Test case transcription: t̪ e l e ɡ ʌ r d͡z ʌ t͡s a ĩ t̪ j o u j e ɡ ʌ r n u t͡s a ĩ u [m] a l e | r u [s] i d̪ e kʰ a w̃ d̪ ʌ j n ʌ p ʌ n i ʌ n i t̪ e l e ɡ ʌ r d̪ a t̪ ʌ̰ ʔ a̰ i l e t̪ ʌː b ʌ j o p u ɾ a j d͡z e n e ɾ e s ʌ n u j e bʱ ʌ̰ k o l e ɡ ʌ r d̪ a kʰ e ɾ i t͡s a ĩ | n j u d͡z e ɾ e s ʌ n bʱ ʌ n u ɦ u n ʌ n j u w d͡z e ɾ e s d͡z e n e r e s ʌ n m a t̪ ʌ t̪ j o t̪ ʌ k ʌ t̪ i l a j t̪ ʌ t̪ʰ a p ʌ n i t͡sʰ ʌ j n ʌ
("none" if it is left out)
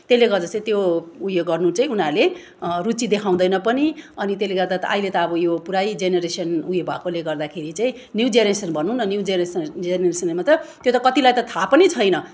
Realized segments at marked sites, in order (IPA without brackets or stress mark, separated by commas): n, t͡s